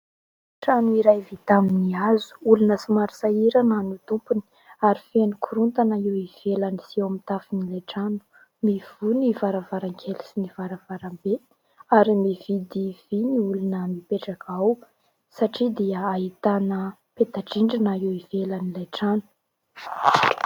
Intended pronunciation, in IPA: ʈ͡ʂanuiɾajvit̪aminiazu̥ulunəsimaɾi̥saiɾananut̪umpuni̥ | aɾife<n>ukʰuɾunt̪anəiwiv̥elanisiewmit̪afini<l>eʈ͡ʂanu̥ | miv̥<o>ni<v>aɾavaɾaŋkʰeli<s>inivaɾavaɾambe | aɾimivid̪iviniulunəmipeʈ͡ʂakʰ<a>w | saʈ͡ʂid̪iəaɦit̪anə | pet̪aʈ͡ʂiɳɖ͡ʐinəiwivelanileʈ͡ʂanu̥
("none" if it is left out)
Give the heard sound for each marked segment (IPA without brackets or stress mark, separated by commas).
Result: n, l, u, v, s, a